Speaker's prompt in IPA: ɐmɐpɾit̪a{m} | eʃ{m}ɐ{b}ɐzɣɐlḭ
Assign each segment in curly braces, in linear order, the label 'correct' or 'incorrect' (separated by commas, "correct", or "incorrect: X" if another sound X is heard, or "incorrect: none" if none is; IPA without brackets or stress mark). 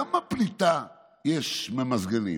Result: incorrect: none, correct, incorrect: m